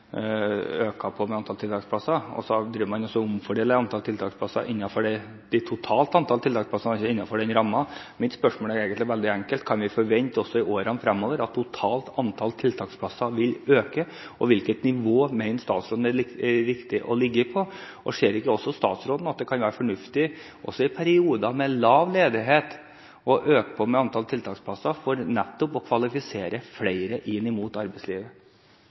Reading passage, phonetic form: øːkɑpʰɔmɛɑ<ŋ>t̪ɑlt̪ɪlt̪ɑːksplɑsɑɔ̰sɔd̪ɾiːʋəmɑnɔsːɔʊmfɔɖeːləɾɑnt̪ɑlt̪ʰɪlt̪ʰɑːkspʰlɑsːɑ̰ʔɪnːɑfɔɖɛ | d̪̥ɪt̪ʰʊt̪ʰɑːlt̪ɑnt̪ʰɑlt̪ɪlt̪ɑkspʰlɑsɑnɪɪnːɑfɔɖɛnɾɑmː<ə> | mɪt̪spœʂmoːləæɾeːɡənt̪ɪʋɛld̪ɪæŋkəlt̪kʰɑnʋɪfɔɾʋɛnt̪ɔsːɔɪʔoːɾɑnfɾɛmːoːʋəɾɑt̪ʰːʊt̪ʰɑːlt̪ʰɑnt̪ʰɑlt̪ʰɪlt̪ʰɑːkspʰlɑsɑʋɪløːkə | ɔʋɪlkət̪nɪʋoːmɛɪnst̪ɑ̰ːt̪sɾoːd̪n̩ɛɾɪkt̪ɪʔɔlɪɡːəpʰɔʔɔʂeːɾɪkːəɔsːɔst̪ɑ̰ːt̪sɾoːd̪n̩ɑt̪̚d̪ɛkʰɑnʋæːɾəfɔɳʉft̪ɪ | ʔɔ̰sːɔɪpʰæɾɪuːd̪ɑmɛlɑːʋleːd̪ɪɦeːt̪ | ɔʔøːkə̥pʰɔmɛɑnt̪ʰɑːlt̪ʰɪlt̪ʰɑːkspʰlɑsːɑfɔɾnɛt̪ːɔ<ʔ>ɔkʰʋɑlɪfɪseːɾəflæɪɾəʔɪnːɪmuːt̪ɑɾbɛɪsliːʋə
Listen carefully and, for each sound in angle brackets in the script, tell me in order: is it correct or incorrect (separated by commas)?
incorrect, incorrect, incorrect